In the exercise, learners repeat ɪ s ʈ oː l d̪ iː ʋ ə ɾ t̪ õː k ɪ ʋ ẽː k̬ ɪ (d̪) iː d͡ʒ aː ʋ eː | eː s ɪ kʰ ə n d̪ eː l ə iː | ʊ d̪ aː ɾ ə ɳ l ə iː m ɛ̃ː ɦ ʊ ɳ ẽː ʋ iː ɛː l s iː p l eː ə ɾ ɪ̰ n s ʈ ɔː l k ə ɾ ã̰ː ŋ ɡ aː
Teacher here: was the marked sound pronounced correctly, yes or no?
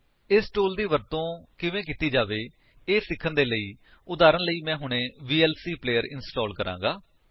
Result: no